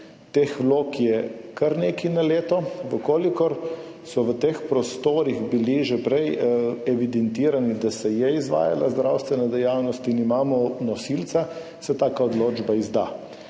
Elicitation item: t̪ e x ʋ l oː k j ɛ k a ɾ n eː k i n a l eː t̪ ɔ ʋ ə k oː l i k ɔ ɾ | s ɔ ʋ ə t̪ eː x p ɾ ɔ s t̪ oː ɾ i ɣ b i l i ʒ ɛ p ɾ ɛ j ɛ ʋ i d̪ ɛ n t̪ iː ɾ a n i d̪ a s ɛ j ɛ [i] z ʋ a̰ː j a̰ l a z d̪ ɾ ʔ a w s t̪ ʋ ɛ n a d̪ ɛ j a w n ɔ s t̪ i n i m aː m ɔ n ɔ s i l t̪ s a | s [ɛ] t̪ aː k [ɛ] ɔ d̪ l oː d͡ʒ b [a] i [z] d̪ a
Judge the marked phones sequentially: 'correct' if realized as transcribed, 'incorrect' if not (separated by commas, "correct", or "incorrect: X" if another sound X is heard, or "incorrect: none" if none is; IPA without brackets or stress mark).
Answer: correct, correct, incorrect: a, correct, correct